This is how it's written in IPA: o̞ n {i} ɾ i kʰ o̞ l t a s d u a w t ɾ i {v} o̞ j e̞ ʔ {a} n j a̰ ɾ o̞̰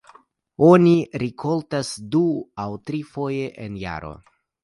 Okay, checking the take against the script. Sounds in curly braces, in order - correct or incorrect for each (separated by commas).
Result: correct, incorrect, incorrect